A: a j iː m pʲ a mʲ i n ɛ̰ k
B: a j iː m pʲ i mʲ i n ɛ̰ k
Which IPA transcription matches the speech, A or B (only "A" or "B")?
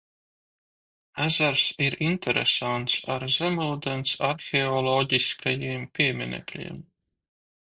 B